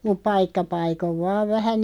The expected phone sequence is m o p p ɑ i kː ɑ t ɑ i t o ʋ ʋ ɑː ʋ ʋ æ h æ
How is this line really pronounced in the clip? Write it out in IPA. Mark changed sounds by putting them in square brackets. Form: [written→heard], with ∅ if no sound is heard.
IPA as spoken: m [o→u] p p ɑ i kː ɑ [t→p] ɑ i [t→k] o ʋ ʋ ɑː ʋ ʋ æ h æ